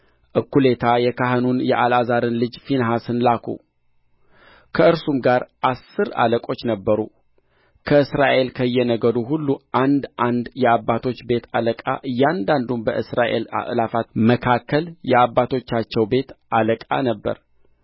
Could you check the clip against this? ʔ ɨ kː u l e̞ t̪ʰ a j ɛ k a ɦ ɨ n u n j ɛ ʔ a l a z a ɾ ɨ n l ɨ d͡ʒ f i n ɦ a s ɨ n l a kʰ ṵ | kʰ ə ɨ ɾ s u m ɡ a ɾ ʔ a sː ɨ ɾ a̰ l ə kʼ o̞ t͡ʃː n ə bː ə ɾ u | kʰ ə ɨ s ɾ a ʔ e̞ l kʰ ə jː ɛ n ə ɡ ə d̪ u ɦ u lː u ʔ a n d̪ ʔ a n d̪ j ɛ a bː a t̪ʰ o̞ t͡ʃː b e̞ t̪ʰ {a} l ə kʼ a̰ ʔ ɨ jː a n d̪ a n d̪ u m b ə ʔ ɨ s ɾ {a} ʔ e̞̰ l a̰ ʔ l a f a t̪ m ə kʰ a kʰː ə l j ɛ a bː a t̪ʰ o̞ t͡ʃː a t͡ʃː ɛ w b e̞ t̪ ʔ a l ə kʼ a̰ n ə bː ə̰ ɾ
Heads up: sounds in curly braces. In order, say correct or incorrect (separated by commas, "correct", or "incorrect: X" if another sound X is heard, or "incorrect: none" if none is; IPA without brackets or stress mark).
correct, correct